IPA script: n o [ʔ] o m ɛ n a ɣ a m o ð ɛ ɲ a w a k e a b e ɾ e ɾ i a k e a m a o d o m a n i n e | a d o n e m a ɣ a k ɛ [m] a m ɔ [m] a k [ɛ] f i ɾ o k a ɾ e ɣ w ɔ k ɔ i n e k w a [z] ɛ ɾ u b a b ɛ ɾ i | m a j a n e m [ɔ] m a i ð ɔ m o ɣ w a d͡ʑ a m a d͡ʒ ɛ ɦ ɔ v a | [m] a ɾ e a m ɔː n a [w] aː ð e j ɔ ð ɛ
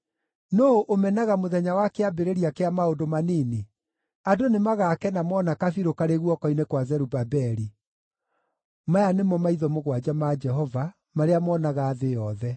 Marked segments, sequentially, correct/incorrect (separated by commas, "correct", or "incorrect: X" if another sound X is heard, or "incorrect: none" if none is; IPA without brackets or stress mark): correct, incorrect: n, incorrect: n, incorrect: a, correct, correct, correct, incorrect: ɣ